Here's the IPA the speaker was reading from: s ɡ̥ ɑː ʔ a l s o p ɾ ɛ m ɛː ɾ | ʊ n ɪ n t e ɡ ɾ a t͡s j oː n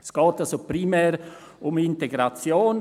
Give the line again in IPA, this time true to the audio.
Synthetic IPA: s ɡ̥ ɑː t a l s o p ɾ i m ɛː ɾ | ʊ m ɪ n t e ɡ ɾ a t͡s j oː n